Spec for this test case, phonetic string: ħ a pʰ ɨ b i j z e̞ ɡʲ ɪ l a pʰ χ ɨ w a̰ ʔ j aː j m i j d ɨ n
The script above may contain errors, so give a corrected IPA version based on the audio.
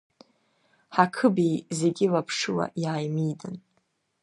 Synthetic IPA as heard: ħ a kʰ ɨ b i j z e̞ ɡʲ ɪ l a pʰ ʂ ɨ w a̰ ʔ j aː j m i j d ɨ n